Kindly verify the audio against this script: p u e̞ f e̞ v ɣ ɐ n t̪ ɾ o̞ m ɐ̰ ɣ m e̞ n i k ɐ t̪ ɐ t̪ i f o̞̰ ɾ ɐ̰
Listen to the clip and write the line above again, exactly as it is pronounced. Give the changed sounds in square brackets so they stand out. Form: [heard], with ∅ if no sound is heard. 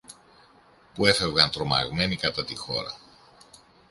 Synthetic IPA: p u e̞ f e̞ v ɣ ɐ n t̪ ɾ o̞ m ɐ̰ ɣ m e̞ n i k ɐ t̪ ɐ t̪ i [x] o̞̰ ɾ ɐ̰